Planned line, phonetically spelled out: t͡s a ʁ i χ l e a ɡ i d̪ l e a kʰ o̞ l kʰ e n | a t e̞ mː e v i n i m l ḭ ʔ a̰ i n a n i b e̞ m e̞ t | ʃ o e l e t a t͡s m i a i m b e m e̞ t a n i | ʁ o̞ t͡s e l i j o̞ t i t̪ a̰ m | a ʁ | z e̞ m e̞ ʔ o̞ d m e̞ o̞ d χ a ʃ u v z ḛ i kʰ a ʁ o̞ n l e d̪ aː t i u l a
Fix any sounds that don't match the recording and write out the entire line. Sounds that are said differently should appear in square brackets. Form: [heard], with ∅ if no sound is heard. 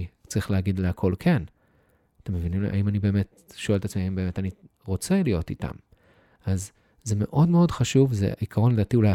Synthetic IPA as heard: t͡s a ʁ i χ l e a ɡ i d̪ l e a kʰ o̞ l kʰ e n | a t e̞ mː e v i n i m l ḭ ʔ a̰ i [m] a n i b e̞ m e̞ t | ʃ o e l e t a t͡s m i a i m b e m e̞ t a n i | ʁ o̞ t͡s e l i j o̞ t i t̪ a̰ m | a [z] | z e̞ m e̞ ʔ o̞ d m e̞ o̞ d χ a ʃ u v z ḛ i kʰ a ʁ o̞ n l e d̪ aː t i u l a